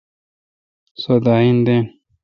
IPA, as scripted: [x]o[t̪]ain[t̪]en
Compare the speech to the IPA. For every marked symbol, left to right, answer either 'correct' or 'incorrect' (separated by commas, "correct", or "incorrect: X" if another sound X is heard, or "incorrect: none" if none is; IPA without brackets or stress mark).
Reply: incorrect: s, incorrect: d̪, incorrect: d̪